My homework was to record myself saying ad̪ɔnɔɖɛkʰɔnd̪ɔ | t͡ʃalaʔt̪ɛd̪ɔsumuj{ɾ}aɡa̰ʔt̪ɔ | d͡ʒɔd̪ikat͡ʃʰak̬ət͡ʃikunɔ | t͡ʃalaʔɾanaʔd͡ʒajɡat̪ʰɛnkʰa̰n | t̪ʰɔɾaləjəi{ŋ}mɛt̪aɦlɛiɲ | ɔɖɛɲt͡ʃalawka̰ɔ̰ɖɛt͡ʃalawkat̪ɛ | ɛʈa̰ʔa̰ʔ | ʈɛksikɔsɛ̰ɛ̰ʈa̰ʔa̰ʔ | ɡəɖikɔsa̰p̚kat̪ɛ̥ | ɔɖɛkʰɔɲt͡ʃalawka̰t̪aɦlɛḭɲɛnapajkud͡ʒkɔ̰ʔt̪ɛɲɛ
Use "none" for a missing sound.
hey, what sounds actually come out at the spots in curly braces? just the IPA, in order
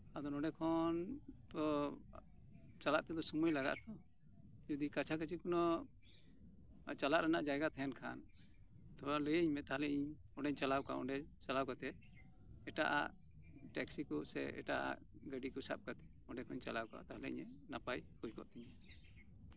l, ɲ

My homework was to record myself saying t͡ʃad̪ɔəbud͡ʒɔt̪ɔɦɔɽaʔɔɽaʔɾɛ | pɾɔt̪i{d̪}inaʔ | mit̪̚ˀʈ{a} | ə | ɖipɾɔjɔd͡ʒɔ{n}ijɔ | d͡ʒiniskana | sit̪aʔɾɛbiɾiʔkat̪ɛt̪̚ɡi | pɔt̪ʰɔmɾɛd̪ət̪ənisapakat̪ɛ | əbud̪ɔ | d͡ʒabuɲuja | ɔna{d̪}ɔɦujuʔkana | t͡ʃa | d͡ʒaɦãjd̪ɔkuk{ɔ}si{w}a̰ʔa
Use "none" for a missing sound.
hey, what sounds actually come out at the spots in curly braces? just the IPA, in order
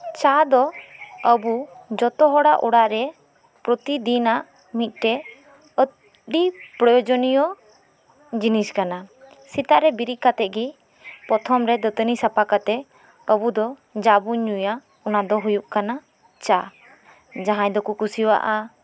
d̪, ɛ, n, d̪, u, w

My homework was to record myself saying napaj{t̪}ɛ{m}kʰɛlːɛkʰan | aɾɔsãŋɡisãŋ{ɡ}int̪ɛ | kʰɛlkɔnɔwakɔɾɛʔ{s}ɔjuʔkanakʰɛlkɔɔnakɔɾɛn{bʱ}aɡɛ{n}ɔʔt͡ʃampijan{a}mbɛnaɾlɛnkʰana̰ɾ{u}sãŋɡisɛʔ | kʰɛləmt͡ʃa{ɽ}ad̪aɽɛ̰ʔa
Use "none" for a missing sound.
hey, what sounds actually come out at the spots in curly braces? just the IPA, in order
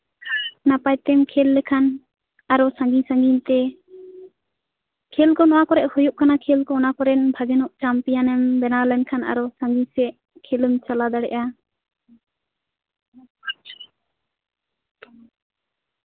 t̪, m, ɡ, h, bʱ, n, ɛ, ɔ, l

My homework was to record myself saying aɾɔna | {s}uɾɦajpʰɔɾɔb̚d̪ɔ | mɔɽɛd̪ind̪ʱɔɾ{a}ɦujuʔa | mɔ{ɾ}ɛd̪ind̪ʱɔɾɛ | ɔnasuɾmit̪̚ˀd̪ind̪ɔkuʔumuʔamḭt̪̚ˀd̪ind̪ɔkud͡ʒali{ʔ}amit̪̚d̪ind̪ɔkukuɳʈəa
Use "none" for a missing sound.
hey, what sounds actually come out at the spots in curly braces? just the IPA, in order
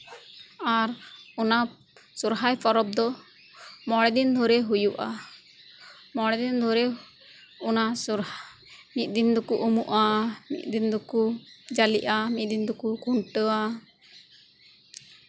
s, ɛ, ɽ, ʔ

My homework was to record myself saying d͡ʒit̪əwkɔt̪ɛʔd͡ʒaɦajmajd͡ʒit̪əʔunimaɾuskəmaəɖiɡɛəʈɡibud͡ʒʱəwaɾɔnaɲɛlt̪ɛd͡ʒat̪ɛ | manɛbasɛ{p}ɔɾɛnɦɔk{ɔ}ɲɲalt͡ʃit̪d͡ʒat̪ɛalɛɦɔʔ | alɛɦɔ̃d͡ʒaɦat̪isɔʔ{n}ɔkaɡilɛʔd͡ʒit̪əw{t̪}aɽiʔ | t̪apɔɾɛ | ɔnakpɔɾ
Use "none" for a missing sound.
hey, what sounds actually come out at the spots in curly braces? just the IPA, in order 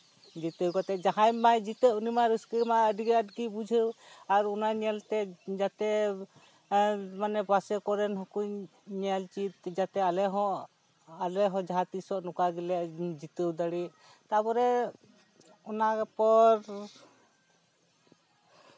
k, u, n, d̪

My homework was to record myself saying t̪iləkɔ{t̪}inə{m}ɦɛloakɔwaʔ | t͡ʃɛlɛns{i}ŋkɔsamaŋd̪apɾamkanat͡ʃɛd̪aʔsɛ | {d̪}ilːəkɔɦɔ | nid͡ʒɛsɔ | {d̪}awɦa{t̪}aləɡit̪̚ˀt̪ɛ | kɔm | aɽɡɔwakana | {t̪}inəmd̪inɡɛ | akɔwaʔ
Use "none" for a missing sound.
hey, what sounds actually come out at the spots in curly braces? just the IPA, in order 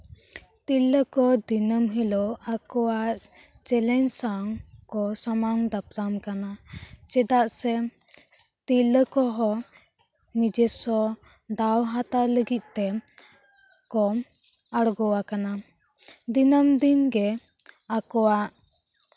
d̪, m, a, t̪, d̪, t̪, d̪

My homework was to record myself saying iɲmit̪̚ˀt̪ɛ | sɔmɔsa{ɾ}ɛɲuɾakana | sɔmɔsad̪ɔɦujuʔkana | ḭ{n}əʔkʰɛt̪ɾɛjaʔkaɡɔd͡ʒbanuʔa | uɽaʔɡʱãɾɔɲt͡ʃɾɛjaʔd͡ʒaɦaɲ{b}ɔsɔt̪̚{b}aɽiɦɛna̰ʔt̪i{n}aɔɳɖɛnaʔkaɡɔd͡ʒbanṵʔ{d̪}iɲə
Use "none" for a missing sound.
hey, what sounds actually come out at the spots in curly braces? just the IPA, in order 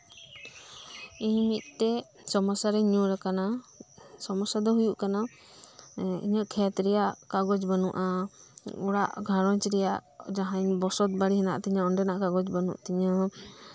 ɾ, ɲ, b, b, ɲ, t̪

